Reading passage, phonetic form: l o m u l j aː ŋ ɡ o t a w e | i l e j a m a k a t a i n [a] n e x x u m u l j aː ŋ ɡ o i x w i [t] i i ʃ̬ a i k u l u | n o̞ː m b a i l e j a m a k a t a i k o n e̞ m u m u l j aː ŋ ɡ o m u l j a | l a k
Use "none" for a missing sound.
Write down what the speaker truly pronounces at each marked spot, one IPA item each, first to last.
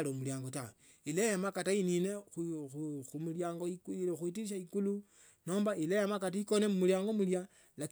i, t

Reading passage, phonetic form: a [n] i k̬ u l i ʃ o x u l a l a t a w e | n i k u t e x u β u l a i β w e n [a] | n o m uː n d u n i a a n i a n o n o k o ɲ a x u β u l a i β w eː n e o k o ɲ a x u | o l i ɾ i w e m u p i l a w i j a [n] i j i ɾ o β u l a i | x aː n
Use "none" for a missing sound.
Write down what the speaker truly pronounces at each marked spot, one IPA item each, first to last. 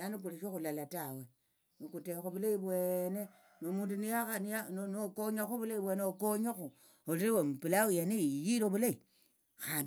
n, e, n

